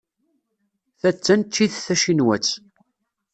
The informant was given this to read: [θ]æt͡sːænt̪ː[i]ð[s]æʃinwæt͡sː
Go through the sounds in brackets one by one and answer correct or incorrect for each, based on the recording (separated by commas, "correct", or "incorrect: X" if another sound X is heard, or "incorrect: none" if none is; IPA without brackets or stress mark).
correct, correct, incorrect: θ